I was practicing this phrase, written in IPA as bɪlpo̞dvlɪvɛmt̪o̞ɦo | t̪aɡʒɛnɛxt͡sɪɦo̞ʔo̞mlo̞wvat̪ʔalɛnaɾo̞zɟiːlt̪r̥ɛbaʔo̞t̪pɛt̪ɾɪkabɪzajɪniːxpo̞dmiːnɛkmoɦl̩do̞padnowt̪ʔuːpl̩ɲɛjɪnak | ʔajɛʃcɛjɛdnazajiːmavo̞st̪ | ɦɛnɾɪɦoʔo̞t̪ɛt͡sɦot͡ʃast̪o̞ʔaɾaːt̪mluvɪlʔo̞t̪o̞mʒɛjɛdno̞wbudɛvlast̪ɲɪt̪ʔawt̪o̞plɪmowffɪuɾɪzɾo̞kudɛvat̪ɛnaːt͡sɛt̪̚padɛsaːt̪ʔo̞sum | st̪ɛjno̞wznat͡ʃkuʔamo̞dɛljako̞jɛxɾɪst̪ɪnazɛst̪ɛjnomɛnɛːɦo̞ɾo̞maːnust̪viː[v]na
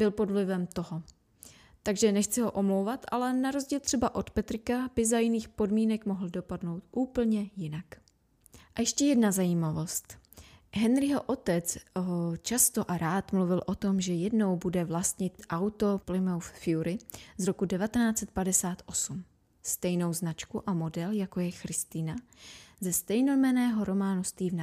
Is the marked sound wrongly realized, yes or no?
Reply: no